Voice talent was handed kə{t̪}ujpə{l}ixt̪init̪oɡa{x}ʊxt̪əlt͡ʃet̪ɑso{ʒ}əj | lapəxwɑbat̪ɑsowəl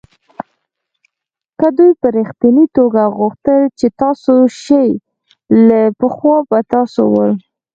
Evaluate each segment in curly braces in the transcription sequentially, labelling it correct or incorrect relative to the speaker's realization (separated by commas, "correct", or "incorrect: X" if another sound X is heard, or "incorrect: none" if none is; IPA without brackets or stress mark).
incorrect: d̪, incorrect: ɾ, incorrect: ɣ, incorrect: ʃ